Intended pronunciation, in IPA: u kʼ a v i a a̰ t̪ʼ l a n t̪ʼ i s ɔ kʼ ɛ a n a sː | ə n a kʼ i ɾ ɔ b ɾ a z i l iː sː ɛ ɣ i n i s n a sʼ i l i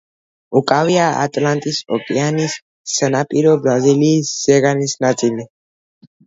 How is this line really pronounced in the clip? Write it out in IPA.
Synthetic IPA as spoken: u kʼ a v i a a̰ t̪ʼ l a n t̪ʼ i s ɔ kʼ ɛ a n i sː | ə n a pʼ i ɾ ɔ b ɾ a z i l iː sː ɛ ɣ a n i s n a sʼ i l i